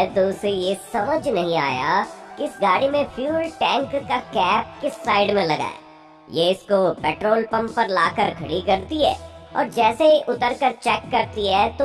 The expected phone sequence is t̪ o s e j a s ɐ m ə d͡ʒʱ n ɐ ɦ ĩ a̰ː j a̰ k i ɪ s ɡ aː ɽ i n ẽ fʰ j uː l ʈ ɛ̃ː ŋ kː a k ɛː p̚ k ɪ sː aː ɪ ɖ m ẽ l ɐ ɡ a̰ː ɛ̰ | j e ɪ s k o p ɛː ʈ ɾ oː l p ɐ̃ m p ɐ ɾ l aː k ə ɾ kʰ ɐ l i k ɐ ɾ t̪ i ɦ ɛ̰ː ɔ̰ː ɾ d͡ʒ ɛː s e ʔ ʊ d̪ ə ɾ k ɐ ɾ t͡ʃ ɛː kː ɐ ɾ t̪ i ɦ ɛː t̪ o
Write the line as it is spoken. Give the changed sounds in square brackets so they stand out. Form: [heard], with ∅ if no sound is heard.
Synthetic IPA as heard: t̪ o s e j [e] s ɐ m ə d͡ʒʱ n ɐ ɦ ĩ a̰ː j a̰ k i ɪ s ɡ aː ɽ i [m] ẽ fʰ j uː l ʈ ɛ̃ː ŋ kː a k ɛː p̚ k ɪ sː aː ɪ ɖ m ẽ l ɐ ɡ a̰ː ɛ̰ | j e ɪ s k o p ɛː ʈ ɾ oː l p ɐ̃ m p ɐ ɾ l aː k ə ɾ kʰ ɐ [ɽ] i k ɐ ɾ t̪ i ɦ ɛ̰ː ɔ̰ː ɾ d͡ʒ ɛː s e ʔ ʊ [t̪] ə ɾ k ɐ ɾ t͡ʃ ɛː kː ɐ ɾ t̪ i ɦ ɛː t̪ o